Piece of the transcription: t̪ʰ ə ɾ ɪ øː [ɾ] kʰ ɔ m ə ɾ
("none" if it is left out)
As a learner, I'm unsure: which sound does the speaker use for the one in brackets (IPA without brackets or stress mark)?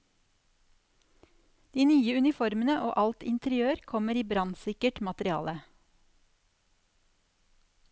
ɾ